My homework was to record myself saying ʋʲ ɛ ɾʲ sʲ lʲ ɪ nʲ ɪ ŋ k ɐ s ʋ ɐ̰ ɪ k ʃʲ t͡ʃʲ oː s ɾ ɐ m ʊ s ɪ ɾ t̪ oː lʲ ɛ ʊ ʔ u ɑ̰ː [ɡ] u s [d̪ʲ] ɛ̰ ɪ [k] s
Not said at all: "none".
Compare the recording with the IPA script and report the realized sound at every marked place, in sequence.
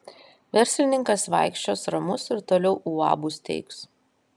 b, t̪ʲ, k

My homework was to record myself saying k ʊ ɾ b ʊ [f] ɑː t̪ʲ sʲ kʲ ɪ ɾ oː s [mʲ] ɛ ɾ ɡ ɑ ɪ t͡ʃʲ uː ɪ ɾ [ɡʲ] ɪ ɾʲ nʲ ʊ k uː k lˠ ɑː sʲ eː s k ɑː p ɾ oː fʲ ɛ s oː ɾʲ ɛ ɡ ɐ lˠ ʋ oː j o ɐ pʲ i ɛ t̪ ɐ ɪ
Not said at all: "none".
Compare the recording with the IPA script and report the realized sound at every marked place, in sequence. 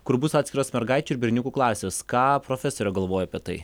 s, mʲ, bʲ

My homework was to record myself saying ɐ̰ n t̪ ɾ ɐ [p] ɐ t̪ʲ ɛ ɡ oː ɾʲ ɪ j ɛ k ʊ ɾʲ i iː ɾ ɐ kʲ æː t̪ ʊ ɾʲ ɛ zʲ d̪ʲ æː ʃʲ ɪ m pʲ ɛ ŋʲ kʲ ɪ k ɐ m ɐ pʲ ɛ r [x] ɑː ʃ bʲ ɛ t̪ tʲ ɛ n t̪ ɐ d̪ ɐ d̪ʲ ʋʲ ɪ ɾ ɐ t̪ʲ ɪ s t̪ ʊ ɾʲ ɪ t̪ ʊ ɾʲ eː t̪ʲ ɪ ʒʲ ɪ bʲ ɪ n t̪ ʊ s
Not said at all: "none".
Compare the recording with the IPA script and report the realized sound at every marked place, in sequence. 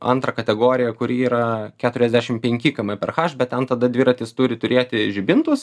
k, x

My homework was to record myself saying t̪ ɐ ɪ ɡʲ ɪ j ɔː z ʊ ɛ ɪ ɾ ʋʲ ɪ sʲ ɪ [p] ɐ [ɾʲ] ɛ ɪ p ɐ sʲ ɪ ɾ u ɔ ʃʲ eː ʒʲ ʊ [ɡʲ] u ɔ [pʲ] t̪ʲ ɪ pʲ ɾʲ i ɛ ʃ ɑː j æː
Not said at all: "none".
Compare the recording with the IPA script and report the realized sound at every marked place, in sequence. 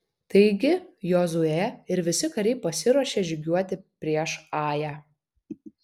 k, ɾʲ, ɡʲ, none

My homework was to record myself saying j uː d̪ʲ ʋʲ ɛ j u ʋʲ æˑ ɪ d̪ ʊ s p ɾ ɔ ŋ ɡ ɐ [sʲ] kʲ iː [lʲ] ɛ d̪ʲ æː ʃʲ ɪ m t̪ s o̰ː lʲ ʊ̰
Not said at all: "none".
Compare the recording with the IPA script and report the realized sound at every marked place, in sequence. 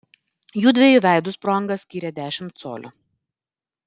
sʲ, ɾʲ

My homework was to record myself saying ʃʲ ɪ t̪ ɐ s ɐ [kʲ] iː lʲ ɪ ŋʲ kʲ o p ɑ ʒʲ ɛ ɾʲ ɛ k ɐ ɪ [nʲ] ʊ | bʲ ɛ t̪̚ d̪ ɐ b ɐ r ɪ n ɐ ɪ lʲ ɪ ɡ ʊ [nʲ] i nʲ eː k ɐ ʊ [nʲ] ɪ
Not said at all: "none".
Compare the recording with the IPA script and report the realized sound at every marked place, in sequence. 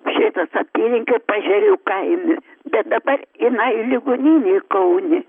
pʲ, mʲ, nʲ, nʲ

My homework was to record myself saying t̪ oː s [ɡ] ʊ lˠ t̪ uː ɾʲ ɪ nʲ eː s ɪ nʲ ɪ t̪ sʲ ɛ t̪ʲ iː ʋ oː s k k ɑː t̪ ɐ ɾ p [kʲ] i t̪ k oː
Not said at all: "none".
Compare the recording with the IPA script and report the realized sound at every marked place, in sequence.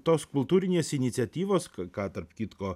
k, kʲ

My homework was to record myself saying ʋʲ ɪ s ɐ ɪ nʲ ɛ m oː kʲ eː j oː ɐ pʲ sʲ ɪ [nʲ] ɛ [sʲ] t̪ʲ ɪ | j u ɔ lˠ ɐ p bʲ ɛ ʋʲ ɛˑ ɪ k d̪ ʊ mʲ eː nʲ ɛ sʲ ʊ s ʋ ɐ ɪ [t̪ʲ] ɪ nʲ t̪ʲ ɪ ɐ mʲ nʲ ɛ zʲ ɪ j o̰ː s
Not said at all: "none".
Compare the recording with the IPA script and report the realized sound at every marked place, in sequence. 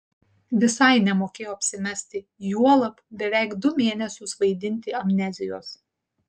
mʲ, sʲ, d̪ʲ

